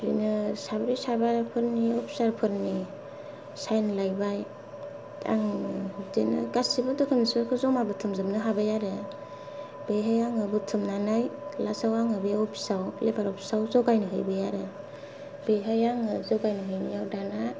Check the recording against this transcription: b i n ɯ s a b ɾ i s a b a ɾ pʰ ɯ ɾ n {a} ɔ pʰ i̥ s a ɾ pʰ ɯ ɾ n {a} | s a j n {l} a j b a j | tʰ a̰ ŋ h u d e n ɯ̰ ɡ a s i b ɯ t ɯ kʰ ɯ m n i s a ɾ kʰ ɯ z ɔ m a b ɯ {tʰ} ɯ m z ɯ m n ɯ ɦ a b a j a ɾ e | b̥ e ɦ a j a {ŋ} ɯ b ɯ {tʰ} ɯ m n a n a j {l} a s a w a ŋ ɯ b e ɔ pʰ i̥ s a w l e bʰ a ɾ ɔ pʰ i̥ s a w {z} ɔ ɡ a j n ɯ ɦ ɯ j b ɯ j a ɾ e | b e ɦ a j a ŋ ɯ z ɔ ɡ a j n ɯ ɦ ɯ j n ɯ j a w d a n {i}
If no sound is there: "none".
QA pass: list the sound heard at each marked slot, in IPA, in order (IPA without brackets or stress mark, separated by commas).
i, i, l, tʰ, ŋ, tʰ, l, z, a